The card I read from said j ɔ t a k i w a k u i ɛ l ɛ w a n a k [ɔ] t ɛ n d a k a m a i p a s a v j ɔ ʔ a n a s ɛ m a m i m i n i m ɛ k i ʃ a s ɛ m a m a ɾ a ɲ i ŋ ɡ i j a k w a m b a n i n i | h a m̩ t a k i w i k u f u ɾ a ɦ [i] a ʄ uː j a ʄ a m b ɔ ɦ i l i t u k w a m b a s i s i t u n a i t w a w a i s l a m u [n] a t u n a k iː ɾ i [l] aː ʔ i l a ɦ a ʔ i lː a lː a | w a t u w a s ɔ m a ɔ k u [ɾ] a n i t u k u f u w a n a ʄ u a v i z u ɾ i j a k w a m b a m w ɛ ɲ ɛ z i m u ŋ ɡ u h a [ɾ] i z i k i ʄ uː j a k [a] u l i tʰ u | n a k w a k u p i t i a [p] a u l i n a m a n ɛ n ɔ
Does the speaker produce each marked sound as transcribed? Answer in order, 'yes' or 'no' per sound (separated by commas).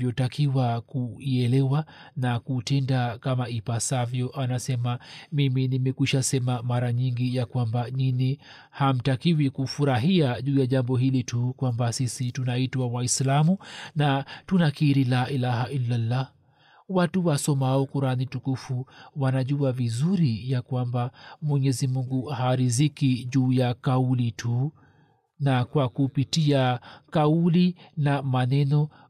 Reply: no, yes, yes, yes, yes, yes, yes, no